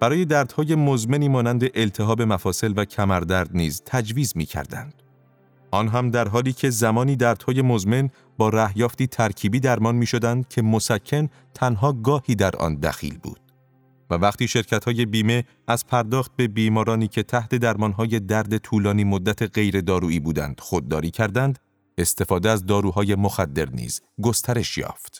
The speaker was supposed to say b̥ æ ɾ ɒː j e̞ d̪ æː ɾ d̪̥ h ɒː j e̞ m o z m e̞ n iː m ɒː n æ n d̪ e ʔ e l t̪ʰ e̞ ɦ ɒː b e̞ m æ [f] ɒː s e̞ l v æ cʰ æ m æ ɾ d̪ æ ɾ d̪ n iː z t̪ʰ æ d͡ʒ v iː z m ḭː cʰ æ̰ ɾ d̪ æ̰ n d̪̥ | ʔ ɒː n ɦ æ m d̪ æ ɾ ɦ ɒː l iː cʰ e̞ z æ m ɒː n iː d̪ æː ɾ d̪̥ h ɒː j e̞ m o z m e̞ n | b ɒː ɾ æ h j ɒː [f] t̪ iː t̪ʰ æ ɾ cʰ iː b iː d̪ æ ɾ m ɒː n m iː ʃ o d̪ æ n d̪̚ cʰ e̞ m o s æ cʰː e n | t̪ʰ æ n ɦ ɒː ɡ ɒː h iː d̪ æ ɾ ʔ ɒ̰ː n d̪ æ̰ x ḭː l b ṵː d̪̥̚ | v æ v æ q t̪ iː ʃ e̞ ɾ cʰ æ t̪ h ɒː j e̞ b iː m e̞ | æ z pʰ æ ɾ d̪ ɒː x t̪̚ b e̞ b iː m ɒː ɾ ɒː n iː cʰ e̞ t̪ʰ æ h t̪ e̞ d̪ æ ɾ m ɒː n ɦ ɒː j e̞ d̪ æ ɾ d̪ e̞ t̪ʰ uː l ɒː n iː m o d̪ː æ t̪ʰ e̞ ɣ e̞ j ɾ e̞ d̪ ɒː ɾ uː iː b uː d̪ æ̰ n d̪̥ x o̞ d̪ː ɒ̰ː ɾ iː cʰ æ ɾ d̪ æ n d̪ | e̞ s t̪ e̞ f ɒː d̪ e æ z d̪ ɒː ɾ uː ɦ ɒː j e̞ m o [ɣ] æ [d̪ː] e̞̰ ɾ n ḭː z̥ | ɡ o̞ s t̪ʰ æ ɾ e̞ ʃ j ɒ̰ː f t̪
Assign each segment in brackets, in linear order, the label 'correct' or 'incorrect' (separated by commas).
correct, correct, incorrect, correct